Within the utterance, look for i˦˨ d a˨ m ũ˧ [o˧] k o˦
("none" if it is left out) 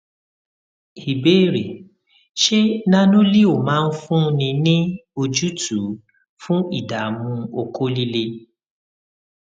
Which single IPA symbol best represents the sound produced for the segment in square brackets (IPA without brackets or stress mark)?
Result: o˧